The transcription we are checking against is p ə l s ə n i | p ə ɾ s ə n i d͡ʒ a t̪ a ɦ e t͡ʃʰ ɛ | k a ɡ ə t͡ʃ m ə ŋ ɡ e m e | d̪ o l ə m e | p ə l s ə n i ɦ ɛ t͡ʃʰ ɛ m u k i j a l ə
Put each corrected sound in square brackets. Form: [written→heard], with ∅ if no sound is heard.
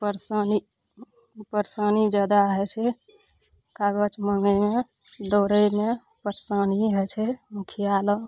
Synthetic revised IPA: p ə [l→ɾ] s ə n i | p ə ɾ s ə n i d͡ʒ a [t̪→d̪] a ɦ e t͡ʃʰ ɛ | k a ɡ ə t͡ʃ m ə ŋ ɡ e m e | d̪ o [l→ɾ] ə m e | p ə [l→ɾ] s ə n i ɦ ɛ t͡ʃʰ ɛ m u [k→kʰ] i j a l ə